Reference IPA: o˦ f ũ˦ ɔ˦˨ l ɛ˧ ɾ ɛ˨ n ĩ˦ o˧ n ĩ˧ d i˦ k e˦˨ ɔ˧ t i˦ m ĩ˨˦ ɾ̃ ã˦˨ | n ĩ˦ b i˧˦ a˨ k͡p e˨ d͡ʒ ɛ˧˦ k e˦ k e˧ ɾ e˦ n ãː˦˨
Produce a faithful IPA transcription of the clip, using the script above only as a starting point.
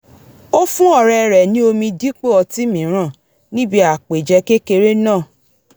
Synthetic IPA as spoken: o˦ f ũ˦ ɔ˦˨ ɾ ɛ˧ ɾ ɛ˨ n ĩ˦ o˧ m ĩ˧ d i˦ k͡p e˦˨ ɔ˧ t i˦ m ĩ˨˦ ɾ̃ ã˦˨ | n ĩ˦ b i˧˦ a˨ k͡p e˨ d͡ʒ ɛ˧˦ k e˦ k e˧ ɾ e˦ n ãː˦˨